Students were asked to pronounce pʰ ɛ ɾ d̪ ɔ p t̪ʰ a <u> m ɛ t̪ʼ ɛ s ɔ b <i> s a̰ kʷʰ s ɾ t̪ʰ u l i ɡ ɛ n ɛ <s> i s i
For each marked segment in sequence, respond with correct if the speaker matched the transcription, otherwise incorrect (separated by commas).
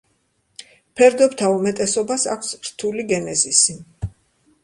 correct, incorrect, incorrect